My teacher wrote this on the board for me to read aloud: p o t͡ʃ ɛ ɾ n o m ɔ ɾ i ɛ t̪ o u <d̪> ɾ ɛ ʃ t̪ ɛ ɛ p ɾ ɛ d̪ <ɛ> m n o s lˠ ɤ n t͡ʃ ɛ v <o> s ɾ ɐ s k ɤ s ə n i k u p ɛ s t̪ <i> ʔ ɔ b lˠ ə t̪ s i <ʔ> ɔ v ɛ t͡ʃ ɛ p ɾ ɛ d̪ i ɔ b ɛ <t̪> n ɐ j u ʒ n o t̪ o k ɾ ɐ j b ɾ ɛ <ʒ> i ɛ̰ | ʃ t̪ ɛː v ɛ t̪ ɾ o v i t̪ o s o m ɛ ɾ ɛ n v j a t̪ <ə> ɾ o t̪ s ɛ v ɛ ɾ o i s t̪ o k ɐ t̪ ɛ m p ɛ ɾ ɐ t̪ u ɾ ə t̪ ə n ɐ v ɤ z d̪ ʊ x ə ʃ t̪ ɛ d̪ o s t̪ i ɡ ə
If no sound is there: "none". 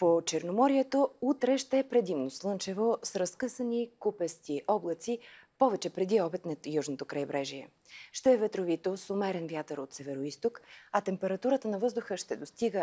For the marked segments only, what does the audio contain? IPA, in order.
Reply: t̪, i, o, i, p, t̪, ʒ, ə

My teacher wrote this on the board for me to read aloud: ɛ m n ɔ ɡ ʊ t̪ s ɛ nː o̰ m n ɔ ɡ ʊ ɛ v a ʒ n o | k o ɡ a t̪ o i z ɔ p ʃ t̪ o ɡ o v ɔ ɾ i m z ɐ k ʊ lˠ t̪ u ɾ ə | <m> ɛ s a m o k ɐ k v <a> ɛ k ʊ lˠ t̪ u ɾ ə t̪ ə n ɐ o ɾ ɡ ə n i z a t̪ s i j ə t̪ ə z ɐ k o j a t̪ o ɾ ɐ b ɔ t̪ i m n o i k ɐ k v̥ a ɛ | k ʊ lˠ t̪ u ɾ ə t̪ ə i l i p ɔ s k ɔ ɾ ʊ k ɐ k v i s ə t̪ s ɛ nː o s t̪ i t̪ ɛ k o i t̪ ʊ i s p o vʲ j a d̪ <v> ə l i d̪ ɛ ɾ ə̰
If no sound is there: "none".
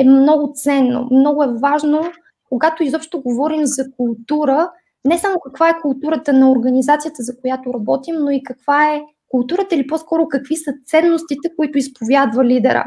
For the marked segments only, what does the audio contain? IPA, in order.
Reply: n, a, v

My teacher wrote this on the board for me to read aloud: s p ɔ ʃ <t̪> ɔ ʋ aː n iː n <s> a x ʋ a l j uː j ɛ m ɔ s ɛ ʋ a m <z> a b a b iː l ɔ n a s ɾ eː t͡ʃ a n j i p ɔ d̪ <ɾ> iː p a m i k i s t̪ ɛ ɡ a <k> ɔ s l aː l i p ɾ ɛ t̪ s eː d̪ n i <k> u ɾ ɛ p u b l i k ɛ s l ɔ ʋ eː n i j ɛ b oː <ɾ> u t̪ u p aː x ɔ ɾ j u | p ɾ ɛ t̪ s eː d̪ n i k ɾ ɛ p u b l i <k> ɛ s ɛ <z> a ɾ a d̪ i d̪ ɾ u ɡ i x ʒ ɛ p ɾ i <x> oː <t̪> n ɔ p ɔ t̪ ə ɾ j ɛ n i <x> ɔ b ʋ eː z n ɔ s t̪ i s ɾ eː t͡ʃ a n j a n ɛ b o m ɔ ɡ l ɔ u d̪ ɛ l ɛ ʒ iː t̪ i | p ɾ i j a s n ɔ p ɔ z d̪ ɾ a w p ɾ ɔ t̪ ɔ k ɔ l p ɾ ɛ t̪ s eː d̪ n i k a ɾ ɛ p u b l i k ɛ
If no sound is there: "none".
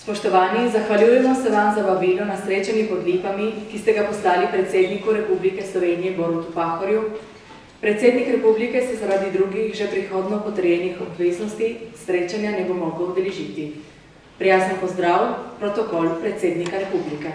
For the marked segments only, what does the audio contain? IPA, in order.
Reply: t̪, z, z, l, p, k, ɾ, k, z, x, d̪, x

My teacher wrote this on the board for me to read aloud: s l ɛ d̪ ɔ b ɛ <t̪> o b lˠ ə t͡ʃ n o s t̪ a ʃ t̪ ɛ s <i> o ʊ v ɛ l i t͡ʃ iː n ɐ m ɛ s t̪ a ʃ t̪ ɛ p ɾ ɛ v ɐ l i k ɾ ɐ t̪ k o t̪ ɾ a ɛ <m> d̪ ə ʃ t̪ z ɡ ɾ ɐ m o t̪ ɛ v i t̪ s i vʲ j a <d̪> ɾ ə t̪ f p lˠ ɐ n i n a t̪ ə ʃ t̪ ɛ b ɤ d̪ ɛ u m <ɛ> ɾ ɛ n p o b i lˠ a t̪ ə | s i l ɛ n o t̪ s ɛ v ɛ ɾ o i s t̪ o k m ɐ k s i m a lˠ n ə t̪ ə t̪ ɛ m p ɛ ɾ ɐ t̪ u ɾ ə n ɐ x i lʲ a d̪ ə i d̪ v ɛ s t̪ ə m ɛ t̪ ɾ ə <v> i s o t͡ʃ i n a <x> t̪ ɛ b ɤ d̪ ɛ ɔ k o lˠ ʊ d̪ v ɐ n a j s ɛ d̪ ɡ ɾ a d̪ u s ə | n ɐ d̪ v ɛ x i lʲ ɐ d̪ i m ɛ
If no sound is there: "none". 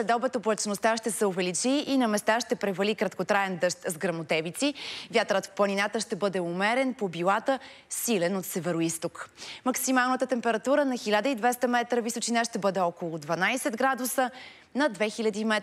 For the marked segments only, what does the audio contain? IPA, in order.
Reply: t̪, ɛ, n, t̪, ɛ, v, ʃ

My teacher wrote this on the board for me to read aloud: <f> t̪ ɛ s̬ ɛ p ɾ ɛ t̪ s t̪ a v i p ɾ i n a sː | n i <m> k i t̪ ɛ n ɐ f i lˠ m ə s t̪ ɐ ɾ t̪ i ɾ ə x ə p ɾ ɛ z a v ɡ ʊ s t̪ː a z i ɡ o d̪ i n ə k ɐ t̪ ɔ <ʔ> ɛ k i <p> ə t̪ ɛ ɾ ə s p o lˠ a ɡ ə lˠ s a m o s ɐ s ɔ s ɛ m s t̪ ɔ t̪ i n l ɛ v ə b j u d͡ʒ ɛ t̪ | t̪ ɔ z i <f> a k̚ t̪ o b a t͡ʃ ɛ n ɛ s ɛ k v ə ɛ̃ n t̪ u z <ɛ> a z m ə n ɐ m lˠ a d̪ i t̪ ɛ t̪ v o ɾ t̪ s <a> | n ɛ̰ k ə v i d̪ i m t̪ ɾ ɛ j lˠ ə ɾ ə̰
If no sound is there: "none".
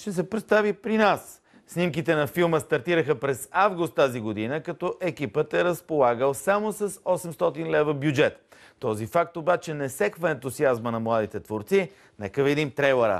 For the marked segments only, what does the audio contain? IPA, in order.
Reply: ʃ, m, ʔ, p, f, i, i

